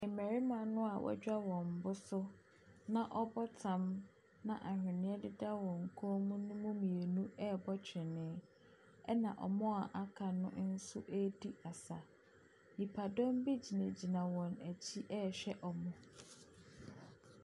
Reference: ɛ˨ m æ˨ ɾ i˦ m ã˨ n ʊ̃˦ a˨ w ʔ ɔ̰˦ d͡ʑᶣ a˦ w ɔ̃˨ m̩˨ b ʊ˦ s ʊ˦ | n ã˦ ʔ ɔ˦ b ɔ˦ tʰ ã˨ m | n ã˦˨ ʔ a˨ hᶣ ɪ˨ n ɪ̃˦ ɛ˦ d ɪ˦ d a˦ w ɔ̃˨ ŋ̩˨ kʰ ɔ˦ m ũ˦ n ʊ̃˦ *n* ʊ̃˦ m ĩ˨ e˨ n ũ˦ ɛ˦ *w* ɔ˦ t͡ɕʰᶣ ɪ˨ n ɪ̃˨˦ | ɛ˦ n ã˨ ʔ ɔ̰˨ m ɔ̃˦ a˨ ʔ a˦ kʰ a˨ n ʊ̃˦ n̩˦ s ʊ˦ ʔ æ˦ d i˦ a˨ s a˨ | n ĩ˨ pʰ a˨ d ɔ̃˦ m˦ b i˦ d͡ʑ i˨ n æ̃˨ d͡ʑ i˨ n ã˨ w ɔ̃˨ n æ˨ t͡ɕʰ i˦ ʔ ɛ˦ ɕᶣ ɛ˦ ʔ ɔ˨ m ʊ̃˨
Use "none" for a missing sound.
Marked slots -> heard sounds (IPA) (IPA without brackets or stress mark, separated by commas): m, b